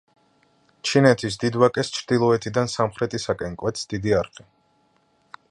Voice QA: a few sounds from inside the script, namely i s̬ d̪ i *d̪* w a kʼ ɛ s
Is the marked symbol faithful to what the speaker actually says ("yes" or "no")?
yes